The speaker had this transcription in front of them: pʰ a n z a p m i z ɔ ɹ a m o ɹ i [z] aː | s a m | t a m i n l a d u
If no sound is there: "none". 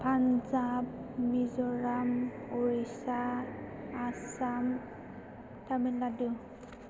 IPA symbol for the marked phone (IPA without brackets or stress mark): s